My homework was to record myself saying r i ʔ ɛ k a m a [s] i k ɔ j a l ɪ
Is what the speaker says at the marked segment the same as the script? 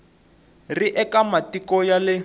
no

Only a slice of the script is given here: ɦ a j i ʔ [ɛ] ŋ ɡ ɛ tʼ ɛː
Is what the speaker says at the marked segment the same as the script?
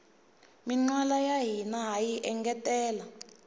yes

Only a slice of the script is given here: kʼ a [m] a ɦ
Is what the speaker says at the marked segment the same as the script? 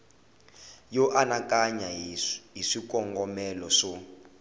no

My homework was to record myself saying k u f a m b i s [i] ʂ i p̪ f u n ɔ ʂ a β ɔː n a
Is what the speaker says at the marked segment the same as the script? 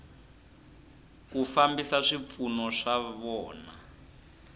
no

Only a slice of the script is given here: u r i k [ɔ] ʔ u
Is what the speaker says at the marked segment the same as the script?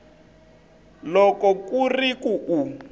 no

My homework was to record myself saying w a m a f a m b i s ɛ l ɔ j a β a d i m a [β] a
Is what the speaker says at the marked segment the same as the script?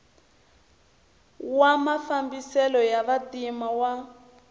no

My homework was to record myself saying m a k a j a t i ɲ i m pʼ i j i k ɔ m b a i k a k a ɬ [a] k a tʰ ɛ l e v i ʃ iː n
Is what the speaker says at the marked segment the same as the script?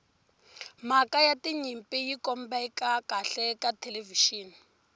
no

